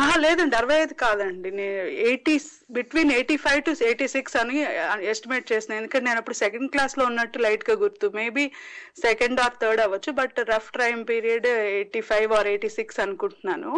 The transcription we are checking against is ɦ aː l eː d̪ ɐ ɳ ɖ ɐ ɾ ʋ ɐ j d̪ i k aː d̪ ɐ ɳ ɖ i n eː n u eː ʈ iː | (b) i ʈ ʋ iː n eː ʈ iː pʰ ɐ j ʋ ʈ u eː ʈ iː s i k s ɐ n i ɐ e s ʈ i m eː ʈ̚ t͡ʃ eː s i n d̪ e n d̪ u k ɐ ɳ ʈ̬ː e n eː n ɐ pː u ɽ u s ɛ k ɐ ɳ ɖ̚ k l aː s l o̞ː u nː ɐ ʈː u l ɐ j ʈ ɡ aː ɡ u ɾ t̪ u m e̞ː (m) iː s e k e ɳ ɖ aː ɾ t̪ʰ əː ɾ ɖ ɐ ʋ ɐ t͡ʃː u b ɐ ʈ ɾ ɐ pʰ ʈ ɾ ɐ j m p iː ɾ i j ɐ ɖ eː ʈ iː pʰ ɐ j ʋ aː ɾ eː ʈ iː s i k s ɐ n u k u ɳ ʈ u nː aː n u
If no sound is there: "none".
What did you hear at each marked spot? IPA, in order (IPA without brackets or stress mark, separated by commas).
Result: b, b